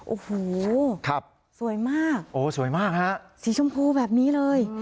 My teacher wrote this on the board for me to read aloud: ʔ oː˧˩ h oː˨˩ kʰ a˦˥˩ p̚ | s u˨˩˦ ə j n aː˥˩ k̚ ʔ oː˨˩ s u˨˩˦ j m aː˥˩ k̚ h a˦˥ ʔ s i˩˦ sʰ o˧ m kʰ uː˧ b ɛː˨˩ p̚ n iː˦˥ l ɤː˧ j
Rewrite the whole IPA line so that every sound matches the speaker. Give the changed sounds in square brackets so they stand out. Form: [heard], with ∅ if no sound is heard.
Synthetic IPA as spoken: ʔ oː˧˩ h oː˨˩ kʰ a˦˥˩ p̚ | s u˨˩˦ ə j [m] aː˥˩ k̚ ʔ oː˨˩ s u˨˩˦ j m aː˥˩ k̚ h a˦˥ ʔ s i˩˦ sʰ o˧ m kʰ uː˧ b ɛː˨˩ p̚ n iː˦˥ l ɤː˧ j